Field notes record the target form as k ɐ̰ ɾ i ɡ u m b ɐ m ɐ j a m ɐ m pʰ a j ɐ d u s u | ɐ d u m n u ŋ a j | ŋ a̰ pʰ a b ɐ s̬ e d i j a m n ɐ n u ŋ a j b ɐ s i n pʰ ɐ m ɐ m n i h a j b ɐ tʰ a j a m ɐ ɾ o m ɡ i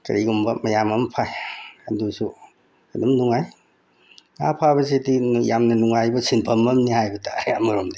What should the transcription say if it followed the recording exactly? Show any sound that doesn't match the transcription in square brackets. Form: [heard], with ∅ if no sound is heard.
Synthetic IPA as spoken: k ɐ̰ ɾ i ɡ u m b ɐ m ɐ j a m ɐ m pʰ a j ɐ d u s u | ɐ d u m n u ŋ a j | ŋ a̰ pʰ a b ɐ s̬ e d i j a m n ɐ n u ŋ a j b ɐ s i n pʰ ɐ m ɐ m n i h a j b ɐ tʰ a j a m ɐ ɾ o m [d] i